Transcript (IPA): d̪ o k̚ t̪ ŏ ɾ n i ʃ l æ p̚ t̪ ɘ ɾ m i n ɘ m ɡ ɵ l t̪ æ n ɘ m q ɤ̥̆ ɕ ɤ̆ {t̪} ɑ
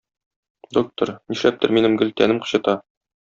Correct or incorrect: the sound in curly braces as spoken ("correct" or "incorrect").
correct